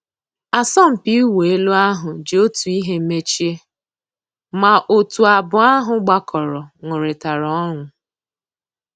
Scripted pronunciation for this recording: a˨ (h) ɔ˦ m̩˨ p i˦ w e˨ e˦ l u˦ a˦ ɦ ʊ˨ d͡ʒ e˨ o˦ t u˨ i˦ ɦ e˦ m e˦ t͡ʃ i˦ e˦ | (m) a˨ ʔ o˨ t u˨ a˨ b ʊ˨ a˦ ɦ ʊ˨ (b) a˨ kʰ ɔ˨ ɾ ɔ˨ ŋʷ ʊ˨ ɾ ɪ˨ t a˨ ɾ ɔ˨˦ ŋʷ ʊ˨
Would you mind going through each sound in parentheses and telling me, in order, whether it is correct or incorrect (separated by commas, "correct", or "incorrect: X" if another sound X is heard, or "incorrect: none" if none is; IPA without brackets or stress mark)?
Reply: incorrect: s, correct, incorrect: ɡ͡b